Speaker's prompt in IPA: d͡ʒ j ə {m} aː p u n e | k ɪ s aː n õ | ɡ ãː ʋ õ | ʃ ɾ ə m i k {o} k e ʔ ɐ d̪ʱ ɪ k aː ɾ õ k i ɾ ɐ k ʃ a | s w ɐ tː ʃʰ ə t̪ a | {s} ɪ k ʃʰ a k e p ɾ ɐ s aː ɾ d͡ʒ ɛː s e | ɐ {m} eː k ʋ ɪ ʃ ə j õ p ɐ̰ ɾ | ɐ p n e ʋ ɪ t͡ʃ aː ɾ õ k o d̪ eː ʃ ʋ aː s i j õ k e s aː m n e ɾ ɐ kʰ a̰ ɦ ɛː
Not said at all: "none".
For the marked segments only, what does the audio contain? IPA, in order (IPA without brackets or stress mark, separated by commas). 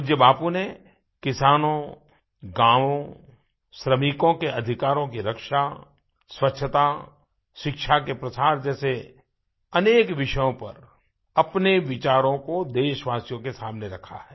b, õ, ʃ, n